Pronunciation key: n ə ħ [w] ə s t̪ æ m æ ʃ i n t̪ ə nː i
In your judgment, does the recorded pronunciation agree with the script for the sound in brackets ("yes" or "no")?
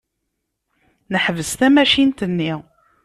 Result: no